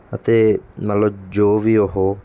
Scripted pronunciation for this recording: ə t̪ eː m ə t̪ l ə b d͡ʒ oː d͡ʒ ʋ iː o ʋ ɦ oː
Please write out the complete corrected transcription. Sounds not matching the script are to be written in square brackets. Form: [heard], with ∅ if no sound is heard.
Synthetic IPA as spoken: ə t̪ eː m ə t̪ l ə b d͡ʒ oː [∅] ʋ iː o [∅] ɦ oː